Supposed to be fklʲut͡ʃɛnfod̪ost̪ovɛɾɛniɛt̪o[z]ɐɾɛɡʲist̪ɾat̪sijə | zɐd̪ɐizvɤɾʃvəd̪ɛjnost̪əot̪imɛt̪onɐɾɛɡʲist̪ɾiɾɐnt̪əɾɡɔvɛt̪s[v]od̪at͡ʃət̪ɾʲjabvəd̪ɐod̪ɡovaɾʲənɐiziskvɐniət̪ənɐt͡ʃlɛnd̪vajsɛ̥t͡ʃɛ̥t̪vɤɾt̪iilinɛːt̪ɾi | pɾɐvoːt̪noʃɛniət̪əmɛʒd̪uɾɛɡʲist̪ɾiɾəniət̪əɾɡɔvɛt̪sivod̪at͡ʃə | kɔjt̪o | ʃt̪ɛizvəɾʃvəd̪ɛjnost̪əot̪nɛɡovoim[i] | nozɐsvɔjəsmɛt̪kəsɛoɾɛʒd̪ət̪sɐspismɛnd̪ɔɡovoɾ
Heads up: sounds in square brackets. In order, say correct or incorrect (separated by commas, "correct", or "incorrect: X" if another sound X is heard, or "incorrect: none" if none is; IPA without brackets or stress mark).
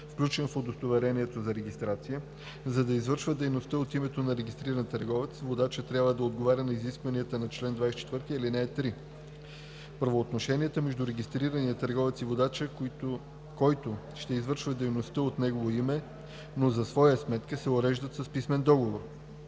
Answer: correct, correct, incorrect: ɛ